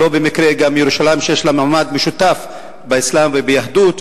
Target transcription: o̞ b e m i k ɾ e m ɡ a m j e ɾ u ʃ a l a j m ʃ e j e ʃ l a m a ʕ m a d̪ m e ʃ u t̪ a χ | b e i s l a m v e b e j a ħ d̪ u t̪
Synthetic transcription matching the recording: o̞ b e m i k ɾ e ɡ a m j e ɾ u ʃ a l a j m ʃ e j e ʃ l a m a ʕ m a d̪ m e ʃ u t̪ a f | b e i s l a m v e b e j a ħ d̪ u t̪